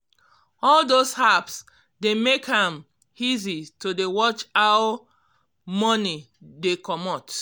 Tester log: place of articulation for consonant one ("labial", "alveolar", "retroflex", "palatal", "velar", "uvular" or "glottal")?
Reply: alveolar